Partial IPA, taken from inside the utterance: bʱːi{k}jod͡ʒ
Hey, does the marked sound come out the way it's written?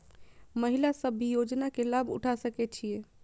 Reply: no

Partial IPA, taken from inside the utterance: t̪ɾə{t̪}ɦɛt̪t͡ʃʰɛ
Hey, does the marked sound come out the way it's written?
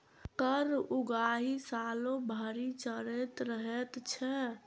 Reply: no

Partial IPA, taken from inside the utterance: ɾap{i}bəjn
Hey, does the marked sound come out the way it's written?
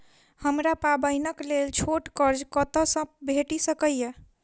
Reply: no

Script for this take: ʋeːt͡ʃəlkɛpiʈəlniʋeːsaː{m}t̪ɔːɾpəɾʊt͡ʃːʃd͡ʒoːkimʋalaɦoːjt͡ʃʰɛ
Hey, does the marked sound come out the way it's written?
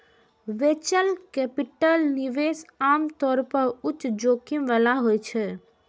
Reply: yes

